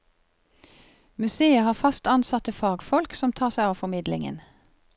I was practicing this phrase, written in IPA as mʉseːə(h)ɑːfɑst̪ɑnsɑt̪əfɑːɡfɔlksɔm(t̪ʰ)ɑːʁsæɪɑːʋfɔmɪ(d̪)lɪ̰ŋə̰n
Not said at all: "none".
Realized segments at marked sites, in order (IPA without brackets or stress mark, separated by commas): h, t̪ʰ, d̪